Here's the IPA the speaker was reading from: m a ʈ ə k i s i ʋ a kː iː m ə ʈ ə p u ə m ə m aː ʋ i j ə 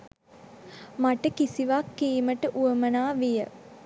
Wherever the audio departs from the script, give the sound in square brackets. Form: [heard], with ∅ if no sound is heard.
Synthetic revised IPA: m a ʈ ə k i s i ʋ a kː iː m ə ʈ ə [ʔ] u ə m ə [n] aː ʋ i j ə

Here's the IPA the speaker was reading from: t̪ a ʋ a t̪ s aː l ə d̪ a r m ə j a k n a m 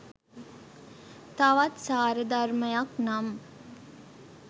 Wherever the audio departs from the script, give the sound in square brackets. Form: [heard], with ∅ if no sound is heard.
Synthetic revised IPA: t̪ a ʋ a t̪ s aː [ɾ] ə d̪ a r m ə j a k n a m

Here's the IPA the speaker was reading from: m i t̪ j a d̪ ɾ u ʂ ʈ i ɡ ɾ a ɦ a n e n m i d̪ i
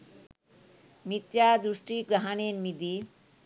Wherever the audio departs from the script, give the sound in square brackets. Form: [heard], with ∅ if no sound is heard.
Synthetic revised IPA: m i t̪ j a d̪ ɾ u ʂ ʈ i ɡ ɾ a ɦ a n e n m i d̪ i

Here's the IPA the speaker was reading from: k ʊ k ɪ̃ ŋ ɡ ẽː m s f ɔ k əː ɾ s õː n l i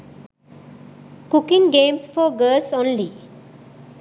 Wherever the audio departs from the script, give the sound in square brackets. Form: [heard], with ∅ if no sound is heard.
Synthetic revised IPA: k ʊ k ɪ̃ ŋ ɡ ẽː m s f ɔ [ɡ] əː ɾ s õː n l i

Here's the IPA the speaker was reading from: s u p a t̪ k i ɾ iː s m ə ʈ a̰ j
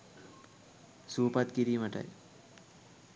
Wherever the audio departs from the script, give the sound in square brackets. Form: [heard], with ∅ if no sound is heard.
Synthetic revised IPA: s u p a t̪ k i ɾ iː [∅] m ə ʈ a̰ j

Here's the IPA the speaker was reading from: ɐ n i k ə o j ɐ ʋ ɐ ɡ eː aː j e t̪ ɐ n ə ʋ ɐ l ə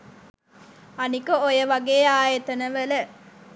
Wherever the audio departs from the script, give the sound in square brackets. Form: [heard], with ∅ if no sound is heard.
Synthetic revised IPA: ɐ n i k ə o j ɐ ʋ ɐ ɡ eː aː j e t̪ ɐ n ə ʋ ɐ l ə

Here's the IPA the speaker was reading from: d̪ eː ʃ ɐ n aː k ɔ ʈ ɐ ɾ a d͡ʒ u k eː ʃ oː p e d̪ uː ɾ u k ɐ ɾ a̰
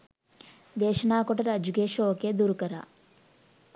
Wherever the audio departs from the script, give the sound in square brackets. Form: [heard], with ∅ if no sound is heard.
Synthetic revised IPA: d̪ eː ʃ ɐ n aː k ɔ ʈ ɐ ɾ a d͡ʒ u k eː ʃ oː [k] e d̪ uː ɾ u k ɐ ɾ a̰

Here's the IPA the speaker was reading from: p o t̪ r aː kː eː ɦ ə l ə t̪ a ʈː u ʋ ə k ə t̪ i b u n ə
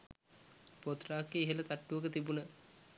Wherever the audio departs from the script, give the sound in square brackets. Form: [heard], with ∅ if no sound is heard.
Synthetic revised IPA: p o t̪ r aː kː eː ɦ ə l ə t̪ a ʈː u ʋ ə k ə t̪ i b u n ə

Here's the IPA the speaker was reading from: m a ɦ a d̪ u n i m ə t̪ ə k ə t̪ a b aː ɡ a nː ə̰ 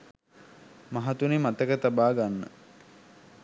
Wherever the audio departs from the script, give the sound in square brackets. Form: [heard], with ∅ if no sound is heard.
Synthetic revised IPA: m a ɦ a [t̪] u n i m [a] t̪ ə k ə t̪ a b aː ɡ a nː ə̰

